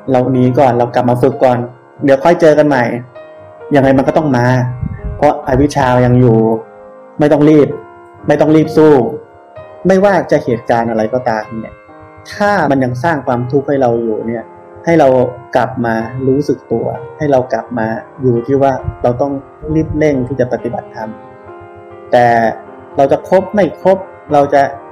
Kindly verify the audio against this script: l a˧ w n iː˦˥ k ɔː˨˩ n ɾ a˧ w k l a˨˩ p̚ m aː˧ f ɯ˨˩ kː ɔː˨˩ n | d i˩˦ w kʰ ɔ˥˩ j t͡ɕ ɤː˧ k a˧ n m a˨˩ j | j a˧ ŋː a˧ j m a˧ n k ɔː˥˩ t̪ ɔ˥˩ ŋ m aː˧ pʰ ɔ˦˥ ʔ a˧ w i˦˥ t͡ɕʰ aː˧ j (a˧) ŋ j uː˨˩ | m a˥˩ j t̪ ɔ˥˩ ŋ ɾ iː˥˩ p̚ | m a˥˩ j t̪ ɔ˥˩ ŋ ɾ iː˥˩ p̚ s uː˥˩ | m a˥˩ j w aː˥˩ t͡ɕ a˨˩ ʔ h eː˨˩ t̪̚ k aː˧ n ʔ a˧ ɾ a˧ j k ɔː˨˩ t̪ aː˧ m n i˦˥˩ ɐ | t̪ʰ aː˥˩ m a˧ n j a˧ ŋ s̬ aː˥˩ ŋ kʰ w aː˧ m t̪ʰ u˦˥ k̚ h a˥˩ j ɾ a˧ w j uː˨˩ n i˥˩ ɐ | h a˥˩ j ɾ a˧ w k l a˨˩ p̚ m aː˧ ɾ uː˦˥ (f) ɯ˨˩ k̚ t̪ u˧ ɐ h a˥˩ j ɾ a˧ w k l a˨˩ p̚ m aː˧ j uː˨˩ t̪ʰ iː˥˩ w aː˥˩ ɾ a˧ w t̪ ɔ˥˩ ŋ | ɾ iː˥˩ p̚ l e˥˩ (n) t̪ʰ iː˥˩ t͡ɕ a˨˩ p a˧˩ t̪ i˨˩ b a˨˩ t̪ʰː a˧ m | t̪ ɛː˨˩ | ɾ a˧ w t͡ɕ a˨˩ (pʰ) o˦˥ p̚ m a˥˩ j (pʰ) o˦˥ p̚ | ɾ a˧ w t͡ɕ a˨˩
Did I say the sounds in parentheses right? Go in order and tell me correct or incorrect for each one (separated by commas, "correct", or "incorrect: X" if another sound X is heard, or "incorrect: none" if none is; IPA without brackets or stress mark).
correct, incorrect: s, incorrect: ŋ, incorrect: kʰ, incorrect: kʰ